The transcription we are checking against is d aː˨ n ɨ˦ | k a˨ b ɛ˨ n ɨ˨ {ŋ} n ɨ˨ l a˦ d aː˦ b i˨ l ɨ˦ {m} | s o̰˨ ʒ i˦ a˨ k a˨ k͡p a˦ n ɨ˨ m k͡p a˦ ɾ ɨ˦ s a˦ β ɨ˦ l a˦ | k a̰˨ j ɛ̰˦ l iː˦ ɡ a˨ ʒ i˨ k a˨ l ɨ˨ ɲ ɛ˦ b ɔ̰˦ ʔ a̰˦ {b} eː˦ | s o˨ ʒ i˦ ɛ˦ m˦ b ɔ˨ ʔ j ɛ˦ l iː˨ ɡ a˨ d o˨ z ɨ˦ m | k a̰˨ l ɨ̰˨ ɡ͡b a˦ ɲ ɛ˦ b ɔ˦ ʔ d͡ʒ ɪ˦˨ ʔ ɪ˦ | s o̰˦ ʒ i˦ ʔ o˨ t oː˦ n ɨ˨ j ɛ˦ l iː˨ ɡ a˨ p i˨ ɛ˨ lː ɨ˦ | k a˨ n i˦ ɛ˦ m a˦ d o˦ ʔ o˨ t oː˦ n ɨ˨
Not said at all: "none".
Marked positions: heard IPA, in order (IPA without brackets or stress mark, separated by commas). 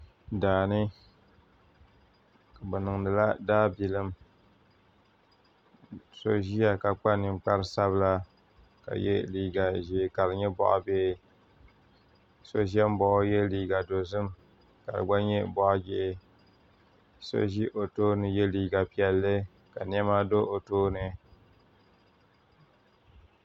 ŋ, m, b